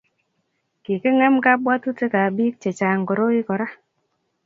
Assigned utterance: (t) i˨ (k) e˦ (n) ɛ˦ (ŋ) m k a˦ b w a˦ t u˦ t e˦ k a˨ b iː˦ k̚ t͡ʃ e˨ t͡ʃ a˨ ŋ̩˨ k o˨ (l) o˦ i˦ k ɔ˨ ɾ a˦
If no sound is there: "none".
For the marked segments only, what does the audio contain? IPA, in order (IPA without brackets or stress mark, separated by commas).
k, k, ŋ, none, ɾ